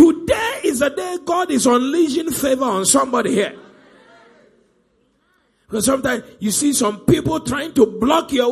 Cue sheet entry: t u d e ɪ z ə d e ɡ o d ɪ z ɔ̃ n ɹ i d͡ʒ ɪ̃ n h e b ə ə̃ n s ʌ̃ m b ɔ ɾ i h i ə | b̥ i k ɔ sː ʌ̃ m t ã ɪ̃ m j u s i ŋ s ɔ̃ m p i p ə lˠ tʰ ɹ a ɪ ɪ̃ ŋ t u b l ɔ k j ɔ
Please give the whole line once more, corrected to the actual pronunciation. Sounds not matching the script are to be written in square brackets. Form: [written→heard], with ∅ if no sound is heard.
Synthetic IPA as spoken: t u d e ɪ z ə d e ɡ [o→ɔ] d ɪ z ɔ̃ n [ɹ→l] i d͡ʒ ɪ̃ n [h→f] e [b→v] ə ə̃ n s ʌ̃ m b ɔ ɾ i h i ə | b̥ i k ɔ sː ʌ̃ m t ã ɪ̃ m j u s i [ŋ→∅] s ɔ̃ m p i p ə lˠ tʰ ɹ a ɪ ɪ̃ ŋ t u b l ɔ k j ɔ